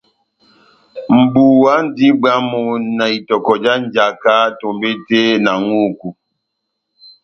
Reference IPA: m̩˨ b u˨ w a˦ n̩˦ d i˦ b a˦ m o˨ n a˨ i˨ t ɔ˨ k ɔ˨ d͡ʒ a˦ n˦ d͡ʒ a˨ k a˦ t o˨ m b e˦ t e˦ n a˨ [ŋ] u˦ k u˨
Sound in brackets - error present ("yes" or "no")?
no